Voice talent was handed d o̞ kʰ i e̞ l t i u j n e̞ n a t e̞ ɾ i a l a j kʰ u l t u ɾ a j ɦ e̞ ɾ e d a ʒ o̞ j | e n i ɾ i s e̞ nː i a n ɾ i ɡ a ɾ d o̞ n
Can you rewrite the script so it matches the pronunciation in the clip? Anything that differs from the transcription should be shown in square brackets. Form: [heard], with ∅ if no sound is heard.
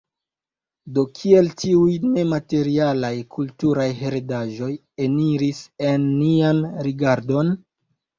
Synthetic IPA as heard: d o̞ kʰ i e̞ l t i u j n e̞ [m] a t e̞ ɾ i a l a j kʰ u l t u ɾ a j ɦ e̞ ɾ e d a ʒ o̞ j | e n i ɾ i s e̞ nː i a n ɾ i ɡ a ɾ d o̞ n